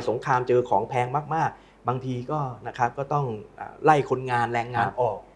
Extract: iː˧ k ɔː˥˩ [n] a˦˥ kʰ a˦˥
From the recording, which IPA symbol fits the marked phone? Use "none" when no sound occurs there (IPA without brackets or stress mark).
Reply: n